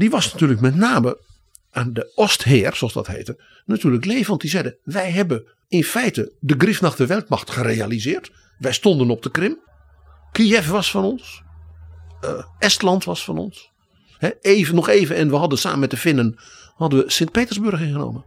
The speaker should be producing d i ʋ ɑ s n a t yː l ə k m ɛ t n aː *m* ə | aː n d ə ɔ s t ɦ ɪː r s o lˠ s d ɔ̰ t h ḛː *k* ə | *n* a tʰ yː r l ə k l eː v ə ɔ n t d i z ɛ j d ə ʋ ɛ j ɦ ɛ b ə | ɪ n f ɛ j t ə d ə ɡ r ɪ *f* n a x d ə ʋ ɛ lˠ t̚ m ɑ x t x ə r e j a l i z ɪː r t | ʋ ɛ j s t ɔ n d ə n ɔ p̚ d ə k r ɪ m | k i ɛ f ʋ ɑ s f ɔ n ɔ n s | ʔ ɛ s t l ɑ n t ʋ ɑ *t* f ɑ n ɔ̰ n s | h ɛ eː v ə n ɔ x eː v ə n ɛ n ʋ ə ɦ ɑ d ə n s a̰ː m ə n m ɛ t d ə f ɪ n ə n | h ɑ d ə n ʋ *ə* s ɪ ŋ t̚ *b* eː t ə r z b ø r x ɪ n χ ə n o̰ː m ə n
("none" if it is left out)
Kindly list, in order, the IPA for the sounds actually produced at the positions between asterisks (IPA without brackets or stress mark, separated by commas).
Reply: m, t, n, f, s, ə, p